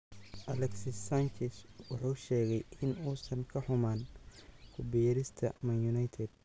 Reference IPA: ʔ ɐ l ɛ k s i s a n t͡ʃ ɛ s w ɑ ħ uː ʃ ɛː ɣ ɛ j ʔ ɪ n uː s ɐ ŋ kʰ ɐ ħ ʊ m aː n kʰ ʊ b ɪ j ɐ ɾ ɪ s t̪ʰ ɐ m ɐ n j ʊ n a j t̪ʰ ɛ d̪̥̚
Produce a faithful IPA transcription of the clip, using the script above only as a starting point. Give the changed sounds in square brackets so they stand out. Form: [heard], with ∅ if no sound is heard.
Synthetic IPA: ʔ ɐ l ɛ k s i s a n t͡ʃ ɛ s w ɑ ħ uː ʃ ɛː ɣ ɛ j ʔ ɪ n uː s ɐ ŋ kʰ ɐ ħ ʊ m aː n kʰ ʊ b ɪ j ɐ ɾ ɪ s t̪ʰ ɐ m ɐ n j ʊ n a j t̪ʰ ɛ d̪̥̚